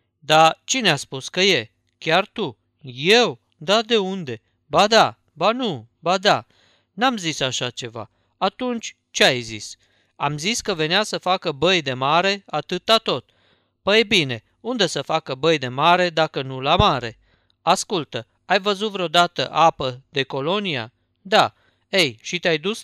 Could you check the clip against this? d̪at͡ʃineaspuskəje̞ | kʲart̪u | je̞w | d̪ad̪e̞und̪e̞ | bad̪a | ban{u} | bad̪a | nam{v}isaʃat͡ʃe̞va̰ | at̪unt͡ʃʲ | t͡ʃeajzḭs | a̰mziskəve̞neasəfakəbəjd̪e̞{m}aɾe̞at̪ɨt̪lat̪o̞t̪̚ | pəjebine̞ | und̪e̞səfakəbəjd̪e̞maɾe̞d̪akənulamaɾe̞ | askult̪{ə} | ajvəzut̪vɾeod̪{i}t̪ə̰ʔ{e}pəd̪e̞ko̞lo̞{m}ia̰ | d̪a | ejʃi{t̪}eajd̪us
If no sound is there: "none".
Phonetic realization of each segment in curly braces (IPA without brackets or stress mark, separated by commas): u, z, m, ə, a, a, n, t̪